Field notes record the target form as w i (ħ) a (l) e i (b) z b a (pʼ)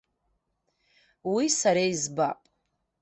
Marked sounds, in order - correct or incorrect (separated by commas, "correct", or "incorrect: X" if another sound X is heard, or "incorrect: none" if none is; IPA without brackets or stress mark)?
incorrect: s, incorrect: ɾ, incorrect: none, correct